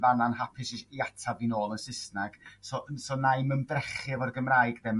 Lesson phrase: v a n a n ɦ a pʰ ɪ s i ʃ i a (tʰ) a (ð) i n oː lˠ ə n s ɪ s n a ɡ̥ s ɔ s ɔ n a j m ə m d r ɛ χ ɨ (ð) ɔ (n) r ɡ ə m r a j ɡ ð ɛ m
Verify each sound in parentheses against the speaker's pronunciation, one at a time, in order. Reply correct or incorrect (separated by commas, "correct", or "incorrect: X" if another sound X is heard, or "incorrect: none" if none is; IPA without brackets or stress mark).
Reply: correct, incorrect: v, incorrect: v, incorrect: none